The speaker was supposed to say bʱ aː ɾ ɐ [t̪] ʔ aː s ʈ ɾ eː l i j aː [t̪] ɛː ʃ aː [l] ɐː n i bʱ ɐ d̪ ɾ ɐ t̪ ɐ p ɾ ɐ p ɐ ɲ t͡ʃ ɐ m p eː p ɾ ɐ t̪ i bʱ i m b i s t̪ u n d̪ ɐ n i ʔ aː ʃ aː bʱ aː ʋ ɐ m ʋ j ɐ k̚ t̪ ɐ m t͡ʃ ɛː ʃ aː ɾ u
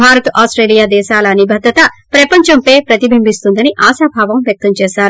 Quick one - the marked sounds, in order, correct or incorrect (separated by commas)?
correct, incorrect, correct